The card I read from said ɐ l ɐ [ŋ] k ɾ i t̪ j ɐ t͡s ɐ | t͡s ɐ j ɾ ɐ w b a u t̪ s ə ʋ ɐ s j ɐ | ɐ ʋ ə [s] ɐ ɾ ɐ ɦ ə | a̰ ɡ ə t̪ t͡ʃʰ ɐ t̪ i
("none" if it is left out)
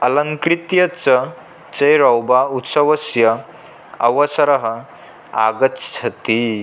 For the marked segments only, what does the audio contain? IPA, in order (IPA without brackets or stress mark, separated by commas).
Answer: ŋ, s